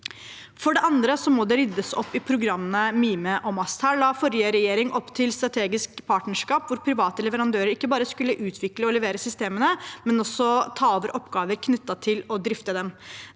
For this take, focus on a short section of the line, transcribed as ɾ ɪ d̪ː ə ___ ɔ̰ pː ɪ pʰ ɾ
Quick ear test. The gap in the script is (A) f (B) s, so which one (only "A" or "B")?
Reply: B